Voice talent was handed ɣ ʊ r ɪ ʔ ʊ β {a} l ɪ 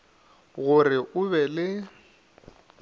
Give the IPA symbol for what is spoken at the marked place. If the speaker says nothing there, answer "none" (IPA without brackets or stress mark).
ɛ